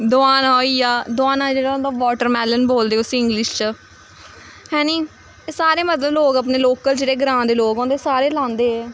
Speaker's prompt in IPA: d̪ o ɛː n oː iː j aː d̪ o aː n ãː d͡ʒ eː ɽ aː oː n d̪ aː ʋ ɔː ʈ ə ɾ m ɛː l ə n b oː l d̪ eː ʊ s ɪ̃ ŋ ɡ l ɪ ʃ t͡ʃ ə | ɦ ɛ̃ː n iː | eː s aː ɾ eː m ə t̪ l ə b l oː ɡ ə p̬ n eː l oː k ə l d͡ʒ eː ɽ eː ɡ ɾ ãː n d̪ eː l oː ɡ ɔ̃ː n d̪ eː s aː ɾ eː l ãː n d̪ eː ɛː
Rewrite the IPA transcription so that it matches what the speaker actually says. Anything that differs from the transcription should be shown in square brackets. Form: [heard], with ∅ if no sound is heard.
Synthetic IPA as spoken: d̪ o [aː] n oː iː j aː d̪ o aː n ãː d͡ʒ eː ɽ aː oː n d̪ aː ʋ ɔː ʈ ə ɾ m ɛː l ə n b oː l d̪ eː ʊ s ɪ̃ ŋ ɡ l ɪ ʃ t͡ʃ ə | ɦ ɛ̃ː n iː | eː s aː ɾ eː m ə t̪ l ə b l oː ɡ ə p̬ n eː l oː k ə l d͡ʒ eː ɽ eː ɡ ɾ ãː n d̪ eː l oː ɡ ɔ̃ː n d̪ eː s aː ɾ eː l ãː n d̪ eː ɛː